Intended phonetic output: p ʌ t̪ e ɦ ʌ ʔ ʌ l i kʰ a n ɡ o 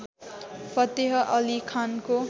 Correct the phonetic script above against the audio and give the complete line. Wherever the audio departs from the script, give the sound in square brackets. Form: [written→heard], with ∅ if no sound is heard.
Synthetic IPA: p ʌ t̪ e ɦ ʌ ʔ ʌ l i kʰ a n [ɡ→k] o